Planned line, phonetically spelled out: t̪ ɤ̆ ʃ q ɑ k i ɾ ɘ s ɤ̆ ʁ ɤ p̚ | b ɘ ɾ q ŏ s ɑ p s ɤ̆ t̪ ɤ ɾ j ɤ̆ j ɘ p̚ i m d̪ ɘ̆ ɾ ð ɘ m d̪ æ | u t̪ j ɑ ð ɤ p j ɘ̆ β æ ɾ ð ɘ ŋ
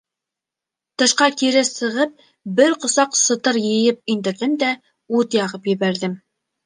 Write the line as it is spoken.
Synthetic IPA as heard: t̪ ɤ̆ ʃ q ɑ k i ɾ ɘ s ɤ̆ ʁ ɤ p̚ | b ɘ ɾ q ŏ s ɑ q s ɤ̆ t̪ ɤ ɾ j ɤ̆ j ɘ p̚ i n d̪ ɘ̆ ɾ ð ɘ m d̪ æ | u t̪ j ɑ ʁ ɤ p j ɘ̆ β æ ɾ ð ɘ m